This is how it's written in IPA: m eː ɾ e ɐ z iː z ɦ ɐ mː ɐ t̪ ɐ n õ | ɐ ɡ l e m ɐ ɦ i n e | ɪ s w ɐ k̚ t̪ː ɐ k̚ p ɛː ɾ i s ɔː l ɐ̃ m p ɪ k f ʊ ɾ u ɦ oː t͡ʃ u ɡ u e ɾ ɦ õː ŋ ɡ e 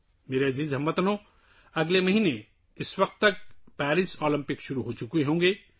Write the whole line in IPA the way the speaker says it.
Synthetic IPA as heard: m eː ɾ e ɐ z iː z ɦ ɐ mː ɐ t̪ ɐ n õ | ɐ ɡ l e m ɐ ɦ i n e | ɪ s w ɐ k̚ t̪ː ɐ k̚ p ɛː ɾ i s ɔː l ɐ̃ m p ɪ k ʃ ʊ ɾ u ɦ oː t͡ʃ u k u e ɦ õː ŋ ɡ e

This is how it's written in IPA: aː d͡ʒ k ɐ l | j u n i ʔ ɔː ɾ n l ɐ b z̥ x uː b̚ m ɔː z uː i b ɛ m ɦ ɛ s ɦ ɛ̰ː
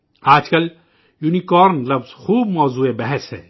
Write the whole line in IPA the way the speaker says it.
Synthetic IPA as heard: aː d͡ʒ k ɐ l | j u n i k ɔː ɾ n l ɐ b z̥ x uː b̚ m ɔː z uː e b ɛ ɦ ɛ s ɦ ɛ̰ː

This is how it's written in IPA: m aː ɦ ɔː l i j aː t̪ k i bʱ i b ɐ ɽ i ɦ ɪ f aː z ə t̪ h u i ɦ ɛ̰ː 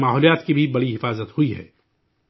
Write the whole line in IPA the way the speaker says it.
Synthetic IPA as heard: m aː ɦ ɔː l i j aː t̪ k i bʱ i b ɐ ɽ i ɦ ɪ f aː z ə t̪ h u i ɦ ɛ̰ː

